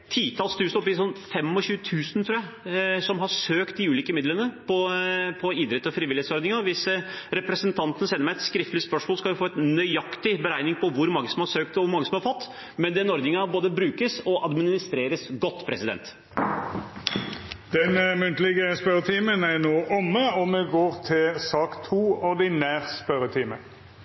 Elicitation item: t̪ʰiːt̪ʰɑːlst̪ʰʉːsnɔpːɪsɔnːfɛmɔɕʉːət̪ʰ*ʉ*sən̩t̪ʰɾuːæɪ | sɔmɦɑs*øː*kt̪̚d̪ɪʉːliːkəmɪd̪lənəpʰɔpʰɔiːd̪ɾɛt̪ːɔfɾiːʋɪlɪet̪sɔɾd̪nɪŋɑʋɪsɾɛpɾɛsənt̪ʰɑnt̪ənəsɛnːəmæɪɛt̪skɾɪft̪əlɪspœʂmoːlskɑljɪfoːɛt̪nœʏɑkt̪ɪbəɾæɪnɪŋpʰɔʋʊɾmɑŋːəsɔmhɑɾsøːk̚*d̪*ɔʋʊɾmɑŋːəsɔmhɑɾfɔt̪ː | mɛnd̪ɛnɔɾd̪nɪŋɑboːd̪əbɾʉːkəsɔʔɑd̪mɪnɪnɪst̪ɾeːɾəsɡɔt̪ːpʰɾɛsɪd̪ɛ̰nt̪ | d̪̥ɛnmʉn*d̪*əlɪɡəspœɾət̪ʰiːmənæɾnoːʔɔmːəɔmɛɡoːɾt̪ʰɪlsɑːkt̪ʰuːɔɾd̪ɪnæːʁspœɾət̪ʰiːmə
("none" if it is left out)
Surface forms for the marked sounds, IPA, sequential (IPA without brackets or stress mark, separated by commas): ʉː, øː, t̪, t̪